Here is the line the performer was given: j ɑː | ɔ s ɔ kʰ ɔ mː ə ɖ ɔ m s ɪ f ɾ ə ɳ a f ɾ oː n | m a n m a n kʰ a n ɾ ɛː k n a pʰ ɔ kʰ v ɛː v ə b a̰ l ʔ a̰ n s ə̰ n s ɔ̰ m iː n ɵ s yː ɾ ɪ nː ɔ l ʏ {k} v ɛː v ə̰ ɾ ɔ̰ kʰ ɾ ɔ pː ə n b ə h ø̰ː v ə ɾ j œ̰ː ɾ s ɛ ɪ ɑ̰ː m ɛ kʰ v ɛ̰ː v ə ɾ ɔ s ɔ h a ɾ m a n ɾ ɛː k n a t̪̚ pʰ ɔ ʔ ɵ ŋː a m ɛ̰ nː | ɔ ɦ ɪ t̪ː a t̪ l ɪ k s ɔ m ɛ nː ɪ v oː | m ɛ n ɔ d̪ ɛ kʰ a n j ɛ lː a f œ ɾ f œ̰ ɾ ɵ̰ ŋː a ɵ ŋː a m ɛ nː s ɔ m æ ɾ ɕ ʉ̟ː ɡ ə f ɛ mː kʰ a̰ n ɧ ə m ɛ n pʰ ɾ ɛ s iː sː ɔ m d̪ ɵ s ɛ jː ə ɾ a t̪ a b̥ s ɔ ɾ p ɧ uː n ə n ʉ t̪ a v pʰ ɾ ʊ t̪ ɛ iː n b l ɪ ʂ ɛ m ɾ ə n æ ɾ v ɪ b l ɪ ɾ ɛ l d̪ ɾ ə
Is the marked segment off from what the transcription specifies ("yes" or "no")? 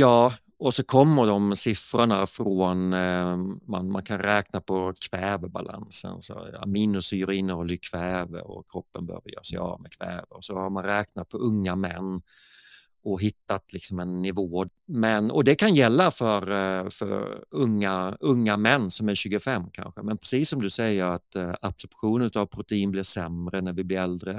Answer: yes